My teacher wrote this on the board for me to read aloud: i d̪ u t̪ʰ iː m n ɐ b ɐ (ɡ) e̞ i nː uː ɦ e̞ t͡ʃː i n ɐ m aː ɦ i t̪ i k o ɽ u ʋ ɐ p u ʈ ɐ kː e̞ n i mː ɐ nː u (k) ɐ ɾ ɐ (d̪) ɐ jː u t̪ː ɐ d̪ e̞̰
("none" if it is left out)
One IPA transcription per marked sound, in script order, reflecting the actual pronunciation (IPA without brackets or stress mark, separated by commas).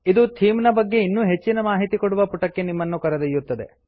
ɡː, k, d̪